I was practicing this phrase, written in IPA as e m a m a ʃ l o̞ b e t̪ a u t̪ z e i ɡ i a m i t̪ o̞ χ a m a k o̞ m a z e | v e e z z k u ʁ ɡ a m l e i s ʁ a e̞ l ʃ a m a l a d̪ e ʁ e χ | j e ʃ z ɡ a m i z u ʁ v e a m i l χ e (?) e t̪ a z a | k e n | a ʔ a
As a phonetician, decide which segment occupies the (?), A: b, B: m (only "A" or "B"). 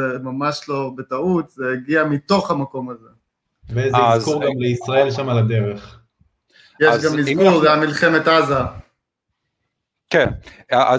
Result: B